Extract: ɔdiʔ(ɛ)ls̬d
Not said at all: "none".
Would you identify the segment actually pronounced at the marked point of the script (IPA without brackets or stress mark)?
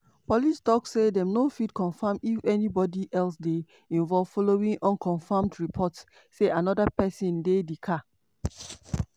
ɛ